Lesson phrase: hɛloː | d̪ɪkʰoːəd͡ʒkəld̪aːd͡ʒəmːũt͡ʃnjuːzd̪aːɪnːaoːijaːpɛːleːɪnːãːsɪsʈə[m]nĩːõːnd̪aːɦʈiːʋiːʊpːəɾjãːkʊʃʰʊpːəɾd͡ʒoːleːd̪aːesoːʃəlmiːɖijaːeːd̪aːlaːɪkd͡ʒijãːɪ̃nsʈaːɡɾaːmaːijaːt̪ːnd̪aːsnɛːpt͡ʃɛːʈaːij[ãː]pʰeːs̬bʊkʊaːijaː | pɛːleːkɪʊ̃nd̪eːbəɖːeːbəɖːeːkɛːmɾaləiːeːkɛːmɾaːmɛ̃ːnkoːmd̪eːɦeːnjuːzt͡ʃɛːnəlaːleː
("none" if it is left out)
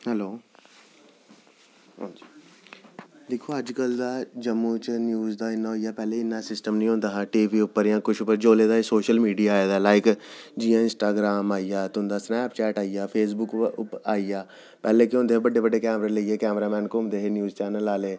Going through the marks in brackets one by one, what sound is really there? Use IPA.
m, aː

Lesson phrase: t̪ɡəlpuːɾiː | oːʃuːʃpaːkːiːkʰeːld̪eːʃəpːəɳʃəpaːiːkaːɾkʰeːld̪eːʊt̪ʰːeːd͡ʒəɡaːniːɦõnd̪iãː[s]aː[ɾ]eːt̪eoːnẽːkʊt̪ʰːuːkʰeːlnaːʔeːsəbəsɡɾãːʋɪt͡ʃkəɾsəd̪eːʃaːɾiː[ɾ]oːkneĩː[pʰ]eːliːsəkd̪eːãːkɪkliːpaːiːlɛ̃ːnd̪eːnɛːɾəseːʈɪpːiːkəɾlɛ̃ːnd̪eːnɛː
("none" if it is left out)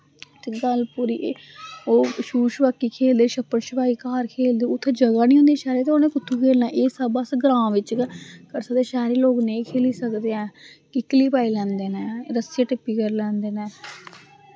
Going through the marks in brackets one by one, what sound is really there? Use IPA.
ʃ, ɾ, l, kʰ

